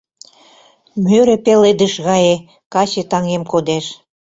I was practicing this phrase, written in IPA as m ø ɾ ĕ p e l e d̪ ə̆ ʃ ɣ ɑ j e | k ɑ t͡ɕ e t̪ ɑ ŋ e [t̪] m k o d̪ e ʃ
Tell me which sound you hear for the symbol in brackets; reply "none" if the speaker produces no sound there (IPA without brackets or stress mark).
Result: none